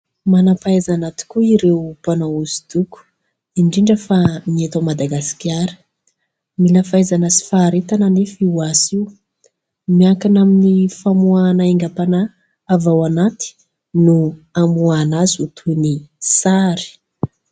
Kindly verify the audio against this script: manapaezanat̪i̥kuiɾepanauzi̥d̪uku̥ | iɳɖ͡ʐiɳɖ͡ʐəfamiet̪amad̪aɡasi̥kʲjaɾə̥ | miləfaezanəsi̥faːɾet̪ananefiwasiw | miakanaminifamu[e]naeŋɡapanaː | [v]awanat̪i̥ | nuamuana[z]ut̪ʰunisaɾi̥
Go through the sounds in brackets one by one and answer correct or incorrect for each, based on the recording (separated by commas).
incorrect, correct, correct